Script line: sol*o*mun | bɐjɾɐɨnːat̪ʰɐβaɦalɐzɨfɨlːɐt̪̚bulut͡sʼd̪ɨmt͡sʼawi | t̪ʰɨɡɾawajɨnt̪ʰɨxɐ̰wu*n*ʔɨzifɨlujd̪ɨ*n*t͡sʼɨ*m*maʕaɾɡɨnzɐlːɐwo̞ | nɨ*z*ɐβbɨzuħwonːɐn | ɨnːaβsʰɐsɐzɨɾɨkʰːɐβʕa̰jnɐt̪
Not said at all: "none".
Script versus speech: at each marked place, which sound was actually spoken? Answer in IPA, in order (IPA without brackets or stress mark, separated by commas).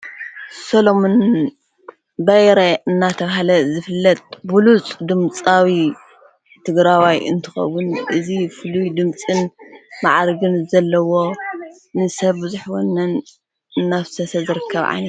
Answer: o, n, m, n, s